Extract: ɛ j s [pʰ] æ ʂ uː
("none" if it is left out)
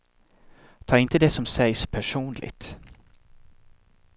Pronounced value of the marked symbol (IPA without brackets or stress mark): pʰ